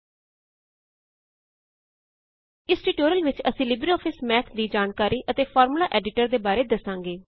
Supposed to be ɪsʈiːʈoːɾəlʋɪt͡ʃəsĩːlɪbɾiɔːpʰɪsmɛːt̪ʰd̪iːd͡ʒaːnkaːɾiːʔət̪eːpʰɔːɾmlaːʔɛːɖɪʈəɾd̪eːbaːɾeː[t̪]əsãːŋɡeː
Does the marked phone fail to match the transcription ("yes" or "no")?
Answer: yes